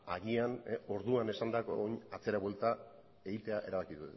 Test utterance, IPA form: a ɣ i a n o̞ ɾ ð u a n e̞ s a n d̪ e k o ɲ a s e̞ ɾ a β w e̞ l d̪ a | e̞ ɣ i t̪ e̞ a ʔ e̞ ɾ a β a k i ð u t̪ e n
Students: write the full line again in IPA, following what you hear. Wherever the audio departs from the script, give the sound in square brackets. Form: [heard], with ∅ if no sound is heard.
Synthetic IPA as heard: a ɣ i a n o̞ ɾ ð u a n e̞ s a n d̪ [a] k o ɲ a [t͡s] e̞ ɾ a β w e̞ l [t̪] a | e̞ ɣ i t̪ e̞ a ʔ e̞ ɾ a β a k i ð u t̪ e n